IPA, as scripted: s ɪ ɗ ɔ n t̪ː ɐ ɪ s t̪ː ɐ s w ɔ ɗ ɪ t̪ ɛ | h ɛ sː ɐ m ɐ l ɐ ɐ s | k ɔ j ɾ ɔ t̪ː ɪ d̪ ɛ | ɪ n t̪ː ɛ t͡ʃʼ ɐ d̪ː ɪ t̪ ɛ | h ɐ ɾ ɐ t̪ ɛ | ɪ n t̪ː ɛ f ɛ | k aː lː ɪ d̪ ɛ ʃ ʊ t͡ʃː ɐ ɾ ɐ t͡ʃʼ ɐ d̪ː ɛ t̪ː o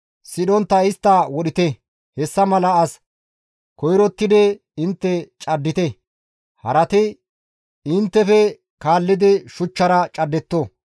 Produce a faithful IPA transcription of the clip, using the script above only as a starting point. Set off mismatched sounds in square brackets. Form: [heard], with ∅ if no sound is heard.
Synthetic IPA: s ɪ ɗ ɔ n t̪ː ɐ ɪ s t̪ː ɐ [∅] w ɔ ɗ ɪ t̪ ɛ | h ɛ sː ɐ m ɐ l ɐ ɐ s | k ɔ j ɾ ɔ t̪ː ɪ d̪ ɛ | ɪ n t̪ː ɛ t͡ʃʼ ɐ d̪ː ɪ t̪ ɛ | h ɐ ɾ ɐ t̪ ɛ | ɪ n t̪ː ɛ f ɛ | k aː lː ɪ d̪ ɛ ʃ ʊ t͡ʃː ɐ ɾ ɐ t͡ʃʼ ɐ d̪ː ɛ t̪ː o